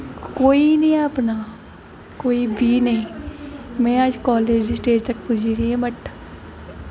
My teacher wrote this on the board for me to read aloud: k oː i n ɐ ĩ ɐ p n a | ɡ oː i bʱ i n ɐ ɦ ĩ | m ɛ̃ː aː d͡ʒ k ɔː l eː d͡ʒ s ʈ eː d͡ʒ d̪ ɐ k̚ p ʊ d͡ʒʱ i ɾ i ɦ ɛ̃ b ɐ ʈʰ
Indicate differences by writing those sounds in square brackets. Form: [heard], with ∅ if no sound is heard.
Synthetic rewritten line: k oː i n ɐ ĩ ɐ p n a | [k] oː i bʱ i n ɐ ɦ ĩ | m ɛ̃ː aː d͡ʒ k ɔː l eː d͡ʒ s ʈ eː d͡ʒ [t̪] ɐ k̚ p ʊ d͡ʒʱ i ɾ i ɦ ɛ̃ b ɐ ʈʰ